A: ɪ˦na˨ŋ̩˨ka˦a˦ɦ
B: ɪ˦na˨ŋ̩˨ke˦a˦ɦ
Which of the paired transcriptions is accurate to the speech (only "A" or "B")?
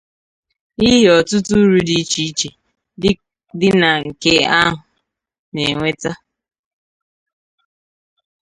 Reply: B